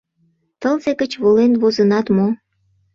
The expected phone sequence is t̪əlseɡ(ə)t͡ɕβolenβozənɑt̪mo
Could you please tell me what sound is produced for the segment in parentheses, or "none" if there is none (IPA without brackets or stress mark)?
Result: ə